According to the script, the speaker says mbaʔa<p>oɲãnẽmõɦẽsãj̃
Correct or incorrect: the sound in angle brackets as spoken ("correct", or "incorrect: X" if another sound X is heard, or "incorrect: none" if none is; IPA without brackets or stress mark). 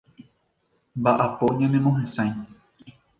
correct